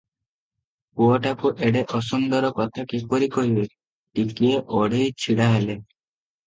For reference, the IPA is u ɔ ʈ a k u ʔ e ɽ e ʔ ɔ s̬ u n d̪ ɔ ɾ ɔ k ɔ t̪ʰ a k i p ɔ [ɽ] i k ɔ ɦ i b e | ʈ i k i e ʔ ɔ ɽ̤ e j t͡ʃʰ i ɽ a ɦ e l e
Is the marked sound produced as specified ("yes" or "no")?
no